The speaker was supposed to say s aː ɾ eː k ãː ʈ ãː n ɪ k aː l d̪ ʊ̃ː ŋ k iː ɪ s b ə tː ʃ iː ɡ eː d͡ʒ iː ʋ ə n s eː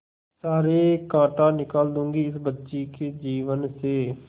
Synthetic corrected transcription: s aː ɾ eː k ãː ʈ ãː n ɪ k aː l d̪ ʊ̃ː ŋ ɡ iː ɪ s b ə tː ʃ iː k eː d͡ʒ iː ʋ ə n s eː